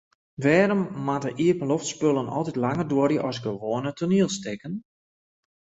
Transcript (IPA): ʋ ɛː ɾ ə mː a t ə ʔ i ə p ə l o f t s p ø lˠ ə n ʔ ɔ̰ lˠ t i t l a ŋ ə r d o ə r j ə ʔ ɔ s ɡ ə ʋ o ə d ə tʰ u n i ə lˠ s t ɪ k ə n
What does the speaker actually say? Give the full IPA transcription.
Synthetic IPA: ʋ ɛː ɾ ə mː a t ə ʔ i ə p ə l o f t s p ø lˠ ə n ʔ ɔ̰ lˠ t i t l a ŋ ə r d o ə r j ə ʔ ɔ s ɡ ə ʋ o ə n ə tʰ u n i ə lˠ s t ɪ k ə n